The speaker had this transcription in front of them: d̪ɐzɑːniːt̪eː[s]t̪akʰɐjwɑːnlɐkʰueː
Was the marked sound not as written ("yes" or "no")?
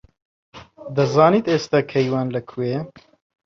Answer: no